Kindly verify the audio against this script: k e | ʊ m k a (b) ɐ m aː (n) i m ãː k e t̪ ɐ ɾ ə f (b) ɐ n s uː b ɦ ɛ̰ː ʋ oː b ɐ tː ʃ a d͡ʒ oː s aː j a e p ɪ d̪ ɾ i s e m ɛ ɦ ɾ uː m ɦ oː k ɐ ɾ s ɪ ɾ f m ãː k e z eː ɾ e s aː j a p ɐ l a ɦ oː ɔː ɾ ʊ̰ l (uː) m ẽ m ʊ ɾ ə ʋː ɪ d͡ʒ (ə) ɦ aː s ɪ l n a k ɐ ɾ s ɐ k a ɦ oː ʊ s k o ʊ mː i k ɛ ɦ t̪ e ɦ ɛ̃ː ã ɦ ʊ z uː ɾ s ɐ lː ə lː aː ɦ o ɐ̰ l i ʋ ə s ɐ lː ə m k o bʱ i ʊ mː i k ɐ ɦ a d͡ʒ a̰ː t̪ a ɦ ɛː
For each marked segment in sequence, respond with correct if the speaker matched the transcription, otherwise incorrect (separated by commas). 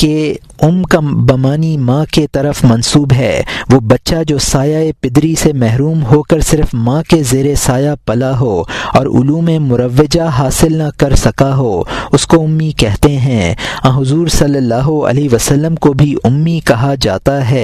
correct, correct, incorrect, correct, incorrect